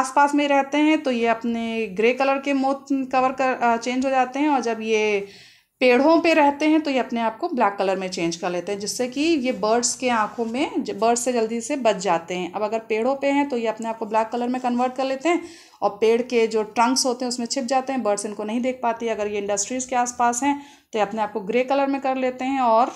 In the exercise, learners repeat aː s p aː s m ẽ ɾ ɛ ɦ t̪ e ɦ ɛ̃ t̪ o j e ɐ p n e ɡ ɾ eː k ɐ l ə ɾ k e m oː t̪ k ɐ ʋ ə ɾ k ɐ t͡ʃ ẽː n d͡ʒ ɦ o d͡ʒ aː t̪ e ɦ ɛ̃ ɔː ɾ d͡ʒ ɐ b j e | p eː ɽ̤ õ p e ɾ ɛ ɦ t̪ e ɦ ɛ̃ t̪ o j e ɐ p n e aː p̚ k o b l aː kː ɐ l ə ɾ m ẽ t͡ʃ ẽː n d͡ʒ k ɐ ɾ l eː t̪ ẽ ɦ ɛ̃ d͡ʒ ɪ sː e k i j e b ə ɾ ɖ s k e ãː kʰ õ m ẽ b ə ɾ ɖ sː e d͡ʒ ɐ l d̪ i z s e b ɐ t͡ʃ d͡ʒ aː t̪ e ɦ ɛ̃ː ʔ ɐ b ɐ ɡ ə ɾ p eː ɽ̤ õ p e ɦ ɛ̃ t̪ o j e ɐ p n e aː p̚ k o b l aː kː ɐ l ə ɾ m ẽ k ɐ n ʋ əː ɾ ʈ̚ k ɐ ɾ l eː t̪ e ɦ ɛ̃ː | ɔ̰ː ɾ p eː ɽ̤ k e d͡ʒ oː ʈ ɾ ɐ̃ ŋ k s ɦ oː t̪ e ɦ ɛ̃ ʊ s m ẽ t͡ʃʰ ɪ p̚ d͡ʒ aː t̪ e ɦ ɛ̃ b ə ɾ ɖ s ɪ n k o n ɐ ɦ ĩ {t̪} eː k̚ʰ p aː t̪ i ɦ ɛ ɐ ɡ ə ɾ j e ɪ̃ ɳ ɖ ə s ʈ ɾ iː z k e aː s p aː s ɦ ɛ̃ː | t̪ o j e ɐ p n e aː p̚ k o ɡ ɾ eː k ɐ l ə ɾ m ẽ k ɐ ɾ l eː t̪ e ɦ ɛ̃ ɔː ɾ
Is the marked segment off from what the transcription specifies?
yes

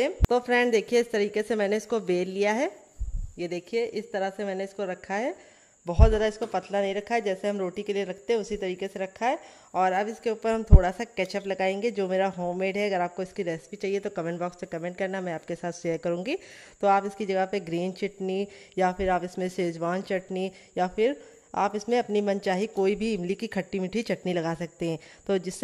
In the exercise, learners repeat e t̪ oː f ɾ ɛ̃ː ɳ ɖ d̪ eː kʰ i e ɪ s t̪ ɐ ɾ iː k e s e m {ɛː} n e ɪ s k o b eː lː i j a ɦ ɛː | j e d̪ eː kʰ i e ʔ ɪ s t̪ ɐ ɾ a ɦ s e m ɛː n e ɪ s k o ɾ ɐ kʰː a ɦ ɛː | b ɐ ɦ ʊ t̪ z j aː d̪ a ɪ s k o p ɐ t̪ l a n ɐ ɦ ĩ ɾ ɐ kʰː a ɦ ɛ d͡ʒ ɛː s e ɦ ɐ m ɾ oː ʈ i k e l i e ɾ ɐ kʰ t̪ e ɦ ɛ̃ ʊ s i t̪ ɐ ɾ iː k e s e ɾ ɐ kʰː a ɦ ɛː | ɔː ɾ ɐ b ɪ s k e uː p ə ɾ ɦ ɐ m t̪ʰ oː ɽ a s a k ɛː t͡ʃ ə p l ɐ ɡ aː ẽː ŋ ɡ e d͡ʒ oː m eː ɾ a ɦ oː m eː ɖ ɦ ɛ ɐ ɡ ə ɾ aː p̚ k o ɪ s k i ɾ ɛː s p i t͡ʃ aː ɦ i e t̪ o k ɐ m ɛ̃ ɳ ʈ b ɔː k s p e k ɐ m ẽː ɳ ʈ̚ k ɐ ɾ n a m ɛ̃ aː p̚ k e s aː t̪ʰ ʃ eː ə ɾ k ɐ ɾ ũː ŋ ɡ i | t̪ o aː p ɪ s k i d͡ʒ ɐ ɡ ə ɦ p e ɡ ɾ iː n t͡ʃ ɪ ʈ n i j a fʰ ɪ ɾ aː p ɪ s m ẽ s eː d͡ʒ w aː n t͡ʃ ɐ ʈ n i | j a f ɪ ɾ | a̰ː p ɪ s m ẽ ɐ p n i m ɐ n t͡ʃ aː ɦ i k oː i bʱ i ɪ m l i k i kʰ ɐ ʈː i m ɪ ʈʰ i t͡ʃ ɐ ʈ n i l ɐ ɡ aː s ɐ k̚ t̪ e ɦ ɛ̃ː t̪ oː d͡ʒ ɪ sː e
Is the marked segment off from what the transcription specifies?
no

